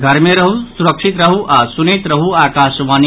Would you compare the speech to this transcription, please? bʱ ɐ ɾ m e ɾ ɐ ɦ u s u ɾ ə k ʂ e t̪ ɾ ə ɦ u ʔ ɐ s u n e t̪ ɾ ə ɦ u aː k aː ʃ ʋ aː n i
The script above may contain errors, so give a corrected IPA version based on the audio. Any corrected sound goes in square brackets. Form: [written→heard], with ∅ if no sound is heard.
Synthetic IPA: [bʱ→ɡʱ] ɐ ɾ m e ɾ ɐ ɦ u s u ɾ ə k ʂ [e→i] t̪ ɾ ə ɦ u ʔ [ɐ→a] s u n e t̪ ɾ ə ɦ u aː k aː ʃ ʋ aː n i